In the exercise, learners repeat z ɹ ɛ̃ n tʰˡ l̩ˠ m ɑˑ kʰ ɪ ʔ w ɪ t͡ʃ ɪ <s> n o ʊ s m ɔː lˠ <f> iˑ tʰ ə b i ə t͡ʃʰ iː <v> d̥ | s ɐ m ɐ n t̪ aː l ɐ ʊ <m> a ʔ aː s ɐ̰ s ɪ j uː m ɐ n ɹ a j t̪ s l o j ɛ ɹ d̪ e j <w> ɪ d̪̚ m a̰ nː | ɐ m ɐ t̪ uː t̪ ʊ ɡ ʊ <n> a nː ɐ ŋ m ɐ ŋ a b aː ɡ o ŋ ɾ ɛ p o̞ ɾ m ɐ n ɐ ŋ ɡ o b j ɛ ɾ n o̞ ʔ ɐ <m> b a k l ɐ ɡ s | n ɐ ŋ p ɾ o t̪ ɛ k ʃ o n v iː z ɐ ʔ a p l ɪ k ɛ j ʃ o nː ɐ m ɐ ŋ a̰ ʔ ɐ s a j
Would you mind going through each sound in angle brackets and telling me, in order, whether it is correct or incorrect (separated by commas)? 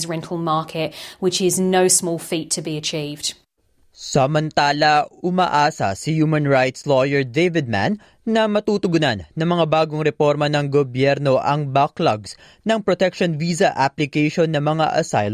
incorrect, correct, correct, correct, incorrect, correct, incorrect